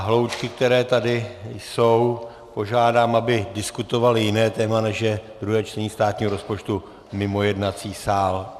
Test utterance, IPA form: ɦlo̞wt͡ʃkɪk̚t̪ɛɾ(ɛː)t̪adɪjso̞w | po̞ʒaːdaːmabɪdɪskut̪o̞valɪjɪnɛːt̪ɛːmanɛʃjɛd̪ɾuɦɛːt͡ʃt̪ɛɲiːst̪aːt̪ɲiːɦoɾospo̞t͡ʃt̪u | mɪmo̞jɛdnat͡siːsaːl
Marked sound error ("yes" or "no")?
no